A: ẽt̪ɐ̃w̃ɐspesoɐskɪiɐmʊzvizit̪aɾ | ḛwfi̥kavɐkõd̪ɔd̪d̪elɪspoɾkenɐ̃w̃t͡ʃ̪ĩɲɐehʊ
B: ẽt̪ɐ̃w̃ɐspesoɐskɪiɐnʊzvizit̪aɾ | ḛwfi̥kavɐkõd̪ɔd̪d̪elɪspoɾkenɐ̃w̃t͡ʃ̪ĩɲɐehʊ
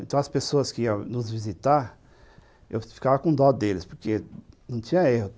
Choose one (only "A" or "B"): B